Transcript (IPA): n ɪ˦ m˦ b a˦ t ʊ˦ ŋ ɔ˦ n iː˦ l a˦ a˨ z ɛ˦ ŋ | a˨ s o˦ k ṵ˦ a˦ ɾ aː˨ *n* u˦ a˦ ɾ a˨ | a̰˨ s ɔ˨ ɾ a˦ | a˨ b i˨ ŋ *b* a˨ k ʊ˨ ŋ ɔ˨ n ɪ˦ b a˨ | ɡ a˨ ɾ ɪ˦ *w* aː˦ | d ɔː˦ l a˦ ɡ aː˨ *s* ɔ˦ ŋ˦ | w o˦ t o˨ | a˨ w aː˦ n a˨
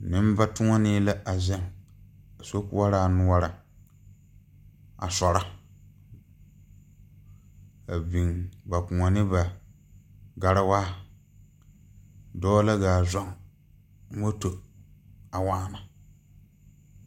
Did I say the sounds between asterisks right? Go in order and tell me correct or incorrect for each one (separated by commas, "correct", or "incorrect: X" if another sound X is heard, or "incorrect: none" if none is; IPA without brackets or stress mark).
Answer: correct, correct, correct, incorrect: z